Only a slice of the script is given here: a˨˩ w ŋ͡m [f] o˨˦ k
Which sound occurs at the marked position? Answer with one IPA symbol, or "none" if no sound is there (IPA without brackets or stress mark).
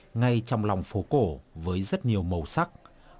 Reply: f